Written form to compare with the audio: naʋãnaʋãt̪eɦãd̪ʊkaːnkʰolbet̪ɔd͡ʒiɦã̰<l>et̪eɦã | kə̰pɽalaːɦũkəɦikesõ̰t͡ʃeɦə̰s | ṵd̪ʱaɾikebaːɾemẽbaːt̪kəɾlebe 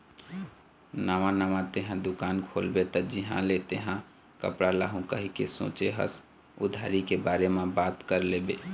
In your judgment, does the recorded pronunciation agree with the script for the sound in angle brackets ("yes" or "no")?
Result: yes